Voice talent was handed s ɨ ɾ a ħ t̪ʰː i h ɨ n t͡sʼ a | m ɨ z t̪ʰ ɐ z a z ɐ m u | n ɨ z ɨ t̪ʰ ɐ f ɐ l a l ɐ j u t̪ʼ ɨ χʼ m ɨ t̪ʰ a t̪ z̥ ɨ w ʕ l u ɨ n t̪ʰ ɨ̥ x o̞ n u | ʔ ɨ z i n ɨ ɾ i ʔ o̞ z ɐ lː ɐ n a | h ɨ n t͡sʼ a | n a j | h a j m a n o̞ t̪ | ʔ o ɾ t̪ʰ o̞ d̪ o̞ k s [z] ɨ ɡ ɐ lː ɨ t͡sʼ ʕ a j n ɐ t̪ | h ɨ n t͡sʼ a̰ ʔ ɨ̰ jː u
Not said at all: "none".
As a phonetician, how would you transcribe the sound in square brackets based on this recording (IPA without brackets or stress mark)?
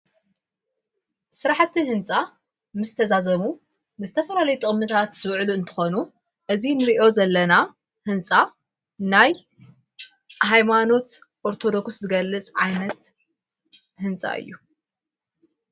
z